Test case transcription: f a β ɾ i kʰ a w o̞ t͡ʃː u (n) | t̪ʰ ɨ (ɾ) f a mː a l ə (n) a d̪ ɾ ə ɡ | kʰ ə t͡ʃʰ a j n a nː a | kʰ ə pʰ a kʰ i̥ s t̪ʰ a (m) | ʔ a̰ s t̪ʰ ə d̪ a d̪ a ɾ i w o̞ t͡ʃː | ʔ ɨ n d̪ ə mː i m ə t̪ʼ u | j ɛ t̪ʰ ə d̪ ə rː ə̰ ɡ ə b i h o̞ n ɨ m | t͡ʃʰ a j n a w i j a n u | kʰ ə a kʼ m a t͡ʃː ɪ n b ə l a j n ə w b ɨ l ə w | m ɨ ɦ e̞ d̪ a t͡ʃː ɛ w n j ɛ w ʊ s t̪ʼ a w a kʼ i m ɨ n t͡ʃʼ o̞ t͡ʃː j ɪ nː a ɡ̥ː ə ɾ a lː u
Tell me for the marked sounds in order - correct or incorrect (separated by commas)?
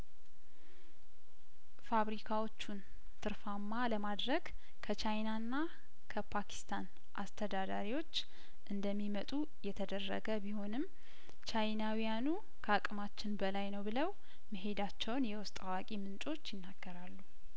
correct, correct, incorrect, incorrect